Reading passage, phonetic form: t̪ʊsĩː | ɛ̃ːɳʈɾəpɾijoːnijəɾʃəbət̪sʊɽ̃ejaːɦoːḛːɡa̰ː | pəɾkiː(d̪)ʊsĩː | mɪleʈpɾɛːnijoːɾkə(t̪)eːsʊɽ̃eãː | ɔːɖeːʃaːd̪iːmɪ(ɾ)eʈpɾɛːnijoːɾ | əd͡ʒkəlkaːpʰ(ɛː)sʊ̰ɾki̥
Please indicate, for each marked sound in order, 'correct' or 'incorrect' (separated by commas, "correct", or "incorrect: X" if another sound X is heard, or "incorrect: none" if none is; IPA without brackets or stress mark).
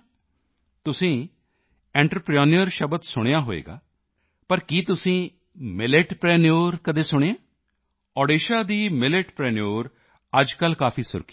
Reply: incorrect: t̪, incorrect: d̪, incorrect: l, incorrect: iː